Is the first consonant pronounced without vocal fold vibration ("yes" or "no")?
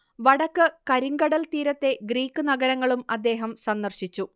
no